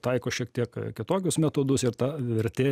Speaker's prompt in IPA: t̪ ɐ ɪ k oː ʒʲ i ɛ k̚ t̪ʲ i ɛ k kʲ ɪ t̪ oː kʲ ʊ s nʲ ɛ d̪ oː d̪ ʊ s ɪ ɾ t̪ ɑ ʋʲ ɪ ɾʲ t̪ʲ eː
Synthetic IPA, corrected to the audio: t̪ ɐ ɪ k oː ʃʲ i ɛ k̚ t̪ʲ i ɛ k kʲ ɪ t̪ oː kʲ ʊ s mʲ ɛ t̪ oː d̪ ʊ s ɪ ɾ t̪ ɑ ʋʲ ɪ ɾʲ t̪ʲ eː